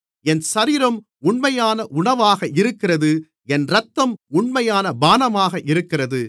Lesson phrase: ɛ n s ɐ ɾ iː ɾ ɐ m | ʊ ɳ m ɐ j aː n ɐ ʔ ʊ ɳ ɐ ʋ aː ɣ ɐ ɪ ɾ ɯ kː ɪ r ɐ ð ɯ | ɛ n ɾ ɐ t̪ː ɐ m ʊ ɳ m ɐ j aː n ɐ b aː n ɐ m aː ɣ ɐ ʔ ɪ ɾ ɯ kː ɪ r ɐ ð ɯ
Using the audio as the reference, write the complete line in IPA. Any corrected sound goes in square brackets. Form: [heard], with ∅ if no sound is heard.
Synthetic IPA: ɛ n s ɐ ɾ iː ɾ ɐ m | ʊ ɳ m ɐ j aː n ɐ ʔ ʊ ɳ ɐ ʋ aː ɣ ɐ ɪ ɾ ɯ kː ɪ r ɐ ð ɯ | ɛ n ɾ ɐ t̪ː ɐ m ʊ ɳ m ɐ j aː n ɐ b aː n ɐ m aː ɣ ɐ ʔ ɪ ɾ ɯ kː ɪ r ɐ ð ɯ

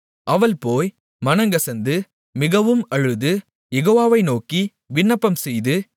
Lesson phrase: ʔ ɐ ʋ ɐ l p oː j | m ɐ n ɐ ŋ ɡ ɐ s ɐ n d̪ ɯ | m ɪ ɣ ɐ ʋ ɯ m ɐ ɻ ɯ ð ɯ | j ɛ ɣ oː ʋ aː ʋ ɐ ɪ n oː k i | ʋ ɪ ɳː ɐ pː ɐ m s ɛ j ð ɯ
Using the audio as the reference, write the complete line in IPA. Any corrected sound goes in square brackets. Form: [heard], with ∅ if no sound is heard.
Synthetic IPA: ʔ ɐ ʋ ɐ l p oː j | m ɐ n ɐ ŋ ɡ ɐ s ɐ n d̪ ɯ | m ɪ ɣ ɐ ʋ ɯ m ɐ ɻ ɯ ð ɯ | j ɛ ɣ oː ʋ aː ʋ ɐ ɪ n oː k i | ʋ ɪ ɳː ɐ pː ɐ m s ɛ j ð ɯ

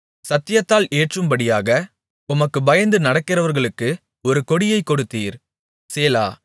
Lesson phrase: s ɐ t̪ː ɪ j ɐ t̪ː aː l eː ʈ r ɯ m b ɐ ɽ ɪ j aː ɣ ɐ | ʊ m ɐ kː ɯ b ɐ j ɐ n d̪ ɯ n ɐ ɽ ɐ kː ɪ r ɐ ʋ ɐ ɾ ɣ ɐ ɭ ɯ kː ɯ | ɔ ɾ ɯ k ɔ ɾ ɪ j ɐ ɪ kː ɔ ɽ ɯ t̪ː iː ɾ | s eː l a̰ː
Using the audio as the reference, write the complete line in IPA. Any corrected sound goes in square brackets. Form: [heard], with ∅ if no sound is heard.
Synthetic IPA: s ɐ t̪ː ɪ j ɐ t̪ː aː l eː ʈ r ɯ m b ɐ ɽ ɪ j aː ɣ ɐ | ʊ m ɐ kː ɯ b ɐ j ɐ n d̪ ɯ n ɐ ɽ ɐ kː ɪ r ɐ ʋ ɐ ɾ ɣ ɐ ɭ ɯ kː ɯ | ɔ ɾ ɯ k ɔ [ɽ] ɪ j ɐ ɪ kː ɔ ɽ ɯ t̪ː iː ɾ | s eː l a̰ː

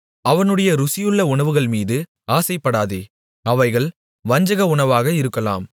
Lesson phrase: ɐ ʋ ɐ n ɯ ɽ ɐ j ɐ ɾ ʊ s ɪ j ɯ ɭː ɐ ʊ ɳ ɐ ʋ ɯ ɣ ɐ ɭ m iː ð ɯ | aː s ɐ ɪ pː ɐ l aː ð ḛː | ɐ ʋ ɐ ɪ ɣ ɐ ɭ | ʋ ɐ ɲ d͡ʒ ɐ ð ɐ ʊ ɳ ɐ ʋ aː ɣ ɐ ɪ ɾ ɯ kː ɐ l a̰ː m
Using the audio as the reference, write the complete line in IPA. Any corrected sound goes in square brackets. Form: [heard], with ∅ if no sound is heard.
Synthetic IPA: ɐ ʋ ɐ n ɯ ɽ ɐ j ɐ ɾ ʊ s ɪ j ɯ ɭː ɐ ʊ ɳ ɐ ʋ ɯ ɣ ɐ ɭ m iː ð ɯ | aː s ɐ ɪ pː ɐ [ɽ] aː ð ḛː | ɐ ʋ ɐ ɪ ɣ ɐ ɭ | ʋ ɐ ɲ d͡ʒ ɐ [ɣ] ɐ ʊ ɳ ɐ ʋ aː ɣ ɐ ɪ ɾ ɯ kː ɐ l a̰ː m

